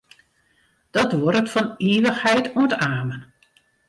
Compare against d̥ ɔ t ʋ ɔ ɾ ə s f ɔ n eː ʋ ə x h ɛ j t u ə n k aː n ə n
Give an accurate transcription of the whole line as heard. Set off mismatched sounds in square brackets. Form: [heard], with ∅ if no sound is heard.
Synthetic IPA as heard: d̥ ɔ t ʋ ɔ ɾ ə [t] f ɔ n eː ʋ ə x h ɛ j t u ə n [t] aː [m] ə n

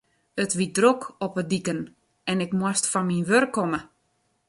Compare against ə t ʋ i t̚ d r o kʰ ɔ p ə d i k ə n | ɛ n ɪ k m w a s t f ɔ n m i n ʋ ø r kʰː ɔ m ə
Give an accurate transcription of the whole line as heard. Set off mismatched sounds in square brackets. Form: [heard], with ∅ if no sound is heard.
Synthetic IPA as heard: ə t ʋ i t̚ d r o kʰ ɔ p ə d i k ə n | ɛ n ɪ k m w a s t f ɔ n m i n ʋ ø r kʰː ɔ m ə

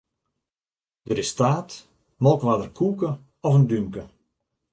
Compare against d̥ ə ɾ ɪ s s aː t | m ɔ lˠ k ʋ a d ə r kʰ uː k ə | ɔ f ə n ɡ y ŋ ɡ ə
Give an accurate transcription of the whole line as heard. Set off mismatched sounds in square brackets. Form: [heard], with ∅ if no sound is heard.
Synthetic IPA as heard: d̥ ə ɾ ɪ s [t] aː t | m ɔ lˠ k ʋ a d ə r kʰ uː k ə | ɔ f ə n [d] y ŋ [k] ə

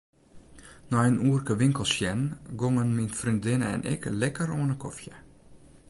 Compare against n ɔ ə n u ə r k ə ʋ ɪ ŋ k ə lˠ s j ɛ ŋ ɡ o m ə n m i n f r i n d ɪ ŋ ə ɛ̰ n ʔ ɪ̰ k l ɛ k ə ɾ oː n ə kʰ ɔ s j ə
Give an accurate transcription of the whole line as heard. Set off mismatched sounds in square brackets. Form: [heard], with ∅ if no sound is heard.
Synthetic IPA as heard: n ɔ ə n u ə r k ə ʋ ɪ ŋ k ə lˠ s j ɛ [n] ɡ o [ŋ] ə n m i n f r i n d ɪ [n] ə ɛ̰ n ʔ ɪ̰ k l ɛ k ə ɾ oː n ə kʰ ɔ [f] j ə

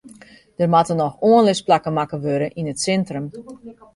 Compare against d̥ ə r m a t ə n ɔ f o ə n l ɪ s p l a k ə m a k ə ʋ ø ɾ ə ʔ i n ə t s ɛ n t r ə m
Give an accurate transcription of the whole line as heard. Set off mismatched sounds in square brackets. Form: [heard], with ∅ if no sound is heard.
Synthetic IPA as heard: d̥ ə r m a t ə n ɔ [x] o ə n l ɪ s p l a k ə m a k ə ʋ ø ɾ ə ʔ i n ə t s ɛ n t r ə m

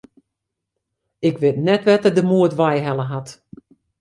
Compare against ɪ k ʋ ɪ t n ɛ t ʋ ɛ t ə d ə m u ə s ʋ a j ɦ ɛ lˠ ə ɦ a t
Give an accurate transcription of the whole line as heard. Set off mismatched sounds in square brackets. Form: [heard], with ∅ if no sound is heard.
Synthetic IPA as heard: ɪ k ʋ ɪ t n ɛ t ʋ ɛ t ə d ə m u ə [t] ʋ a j ɦ ɛ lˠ ə ɦ a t

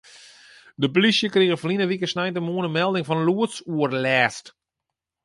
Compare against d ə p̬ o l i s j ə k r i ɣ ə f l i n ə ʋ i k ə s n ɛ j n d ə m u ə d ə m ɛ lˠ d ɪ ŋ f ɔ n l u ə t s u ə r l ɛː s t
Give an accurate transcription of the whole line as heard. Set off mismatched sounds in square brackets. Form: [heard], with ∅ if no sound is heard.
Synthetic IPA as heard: d ə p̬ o l i s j ə k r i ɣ ə f l i n ə ʋ i k ə s n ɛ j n [t] ə m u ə [n] ə m ɛ lˠ d ɪ ŋ f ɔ n l u ə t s u ə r l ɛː s t

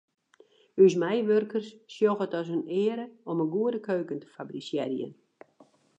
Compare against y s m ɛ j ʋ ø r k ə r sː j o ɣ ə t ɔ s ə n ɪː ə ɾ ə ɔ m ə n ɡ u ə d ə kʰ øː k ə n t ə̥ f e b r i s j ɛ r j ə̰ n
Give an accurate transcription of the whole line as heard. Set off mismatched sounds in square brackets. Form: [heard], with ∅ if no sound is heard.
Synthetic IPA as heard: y s m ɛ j ʋ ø r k ə r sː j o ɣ ə t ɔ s ə n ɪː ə ɾ ə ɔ m ə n ɡ u ə d ə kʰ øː k ə n t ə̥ f [a] b r i s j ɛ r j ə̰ n

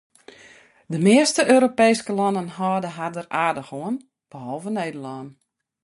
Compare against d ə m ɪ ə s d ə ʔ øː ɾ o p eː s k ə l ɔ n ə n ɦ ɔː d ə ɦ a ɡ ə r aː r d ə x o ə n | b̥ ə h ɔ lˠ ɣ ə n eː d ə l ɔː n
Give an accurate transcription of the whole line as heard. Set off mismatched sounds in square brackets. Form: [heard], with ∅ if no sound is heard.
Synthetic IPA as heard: d ə m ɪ ə s [t] ə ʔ øː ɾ o p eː s k ə l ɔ n ə n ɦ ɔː d ə ɦ a [d] ə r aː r d ə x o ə n | b̥ ə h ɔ lˠ [v] ə n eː d ə l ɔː n

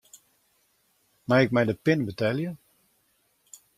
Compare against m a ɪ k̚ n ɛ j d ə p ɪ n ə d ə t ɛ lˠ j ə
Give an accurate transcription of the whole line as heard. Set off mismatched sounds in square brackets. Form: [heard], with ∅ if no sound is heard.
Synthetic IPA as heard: m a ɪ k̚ [m] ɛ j d ə p ɪ n ə [b] ə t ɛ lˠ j ə

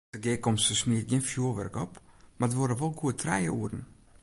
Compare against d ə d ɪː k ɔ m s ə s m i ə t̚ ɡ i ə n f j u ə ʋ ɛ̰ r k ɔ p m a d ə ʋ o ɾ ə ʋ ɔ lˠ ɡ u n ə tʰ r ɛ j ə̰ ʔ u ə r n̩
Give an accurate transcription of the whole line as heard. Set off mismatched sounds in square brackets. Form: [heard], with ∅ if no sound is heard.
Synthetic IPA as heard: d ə [ɡ] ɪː k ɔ m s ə s m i ə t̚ ɡ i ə n f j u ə ʋ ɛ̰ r k ɔ p m a d ə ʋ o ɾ ə ʋ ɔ lˠ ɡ u [∅] ə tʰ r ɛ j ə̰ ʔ u ə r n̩

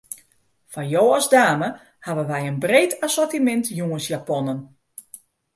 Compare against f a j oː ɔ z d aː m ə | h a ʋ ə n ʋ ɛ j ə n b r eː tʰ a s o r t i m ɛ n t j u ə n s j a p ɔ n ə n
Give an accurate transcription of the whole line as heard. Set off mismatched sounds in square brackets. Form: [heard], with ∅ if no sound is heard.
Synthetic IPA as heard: f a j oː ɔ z d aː m ə | h a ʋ ə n ʋ ɛ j ə n b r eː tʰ a s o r t i m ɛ n t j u ə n s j a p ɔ n ə n

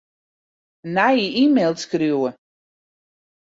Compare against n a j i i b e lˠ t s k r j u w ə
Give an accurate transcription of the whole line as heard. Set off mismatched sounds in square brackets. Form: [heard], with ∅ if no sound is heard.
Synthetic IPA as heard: n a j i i [m] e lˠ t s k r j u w ə

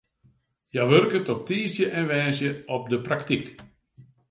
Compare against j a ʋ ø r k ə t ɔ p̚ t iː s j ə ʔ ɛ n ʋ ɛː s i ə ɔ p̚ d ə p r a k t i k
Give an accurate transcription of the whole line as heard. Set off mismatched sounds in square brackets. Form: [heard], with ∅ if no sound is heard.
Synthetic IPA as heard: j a ʋ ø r k ə t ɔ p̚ t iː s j ə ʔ ɛ n ʋ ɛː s [j] ə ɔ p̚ d ə p r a k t i k

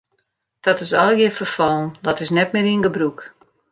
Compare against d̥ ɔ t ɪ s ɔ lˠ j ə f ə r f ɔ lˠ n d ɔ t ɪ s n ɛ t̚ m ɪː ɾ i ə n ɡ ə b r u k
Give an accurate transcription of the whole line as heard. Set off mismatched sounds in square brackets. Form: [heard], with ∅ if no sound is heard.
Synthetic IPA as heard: d̥ ɔ t ɪ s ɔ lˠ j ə f ə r f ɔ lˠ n d ɔ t ɪ s n ɛ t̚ m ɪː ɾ i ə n ɡ ə b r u k

